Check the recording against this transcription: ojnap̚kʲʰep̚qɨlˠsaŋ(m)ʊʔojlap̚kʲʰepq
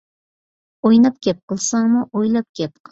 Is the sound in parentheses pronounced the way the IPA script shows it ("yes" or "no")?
yes